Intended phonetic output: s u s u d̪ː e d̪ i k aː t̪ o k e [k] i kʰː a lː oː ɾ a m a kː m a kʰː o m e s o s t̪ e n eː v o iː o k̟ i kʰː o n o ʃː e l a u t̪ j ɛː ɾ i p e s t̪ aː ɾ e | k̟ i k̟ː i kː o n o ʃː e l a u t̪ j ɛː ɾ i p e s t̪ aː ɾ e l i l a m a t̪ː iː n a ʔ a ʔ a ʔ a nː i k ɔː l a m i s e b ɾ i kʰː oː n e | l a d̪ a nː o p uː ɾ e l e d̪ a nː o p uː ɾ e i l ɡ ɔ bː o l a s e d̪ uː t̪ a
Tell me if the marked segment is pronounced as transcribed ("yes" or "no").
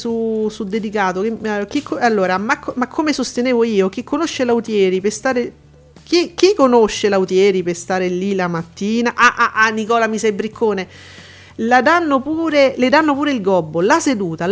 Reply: yes